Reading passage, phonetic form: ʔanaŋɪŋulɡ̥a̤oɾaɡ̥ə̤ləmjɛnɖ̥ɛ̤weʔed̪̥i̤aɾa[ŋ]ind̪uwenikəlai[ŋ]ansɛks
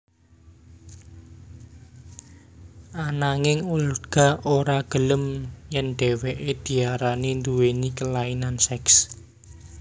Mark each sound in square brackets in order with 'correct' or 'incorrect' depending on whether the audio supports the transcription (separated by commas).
incorrect, incorrect